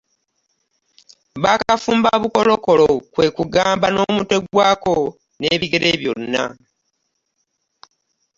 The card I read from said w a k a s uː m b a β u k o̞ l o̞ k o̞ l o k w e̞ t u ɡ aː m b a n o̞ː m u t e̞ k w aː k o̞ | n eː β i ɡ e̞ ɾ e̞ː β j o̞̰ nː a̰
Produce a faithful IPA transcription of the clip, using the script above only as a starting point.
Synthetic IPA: β a k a f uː m b a β u k o̞ l o̞ k o̞ l o k w e̞ k u ɡ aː m b a n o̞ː m u t e̞ ɡ w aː k o̞ | n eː β i ɡ e̞ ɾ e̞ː β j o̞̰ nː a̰